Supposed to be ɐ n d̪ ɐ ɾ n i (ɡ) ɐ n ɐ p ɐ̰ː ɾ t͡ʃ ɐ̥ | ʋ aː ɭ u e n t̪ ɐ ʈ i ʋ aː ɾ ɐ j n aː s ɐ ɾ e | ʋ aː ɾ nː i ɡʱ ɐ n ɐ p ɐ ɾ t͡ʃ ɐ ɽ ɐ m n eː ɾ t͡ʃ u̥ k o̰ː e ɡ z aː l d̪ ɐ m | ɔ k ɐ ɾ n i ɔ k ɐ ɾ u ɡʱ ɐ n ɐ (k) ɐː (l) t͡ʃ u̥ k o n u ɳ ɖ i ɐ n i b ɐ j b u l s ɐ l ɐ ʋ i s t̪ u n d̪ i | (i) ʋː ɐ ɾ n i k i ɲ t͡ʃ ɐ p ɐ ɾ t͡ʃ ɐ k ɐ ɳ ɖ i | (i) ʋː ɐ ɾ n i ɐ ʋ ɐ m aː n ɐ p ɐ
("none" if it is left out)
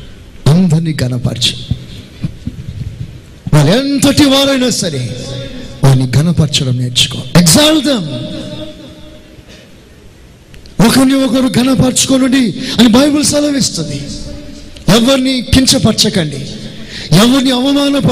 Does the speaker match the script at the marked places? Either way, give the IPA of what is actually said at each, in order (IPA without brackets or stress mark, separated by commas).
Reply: ɡ, p, ɾ, ɛ, ɛ